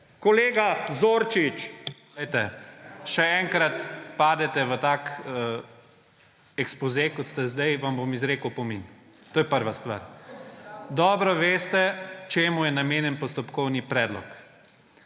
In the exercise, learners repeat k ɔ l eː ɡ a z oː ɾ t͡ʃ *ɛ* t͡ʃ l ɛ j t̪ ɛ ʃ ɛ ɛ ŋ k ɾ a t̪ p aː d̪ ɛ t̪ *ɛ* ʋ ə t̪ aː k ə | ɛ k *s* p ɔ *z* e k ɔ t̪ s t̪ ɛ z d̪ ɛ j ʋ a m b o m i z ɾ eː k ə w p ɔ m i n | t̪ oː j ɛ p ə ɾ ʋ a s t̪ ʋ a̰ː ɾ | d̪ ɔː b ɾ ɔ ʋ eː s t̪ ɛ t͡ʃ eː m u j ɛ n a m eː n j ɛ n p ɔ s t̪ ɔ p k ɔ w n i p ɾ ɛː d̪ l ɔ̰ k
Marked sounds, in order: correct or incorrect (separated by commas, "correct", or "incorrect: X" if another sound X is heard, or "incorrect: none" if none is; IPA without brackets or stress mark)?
incorrect: i, correct, correct, correct